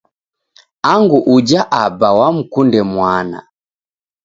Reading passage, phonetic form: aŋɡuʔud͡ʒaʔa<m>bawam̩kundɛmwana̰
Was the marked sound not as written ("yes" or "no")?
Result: yes